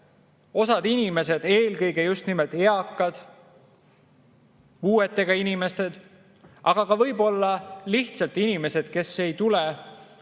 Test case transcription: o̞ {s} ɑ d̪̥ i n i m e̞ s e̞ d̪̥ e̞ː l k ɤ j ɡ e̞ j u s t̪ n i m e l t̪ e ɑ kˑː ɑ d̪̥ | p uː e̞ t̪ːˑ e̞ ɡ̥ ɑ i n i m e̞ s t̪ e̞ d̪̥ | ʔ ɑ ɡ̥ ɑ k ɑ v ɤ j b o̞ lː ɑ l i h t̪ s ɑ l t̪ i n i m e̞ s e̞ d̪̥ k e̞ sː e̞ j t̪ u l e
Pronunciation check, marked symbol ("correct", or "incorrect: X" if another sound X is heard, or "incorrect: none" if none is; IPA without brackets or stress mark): correct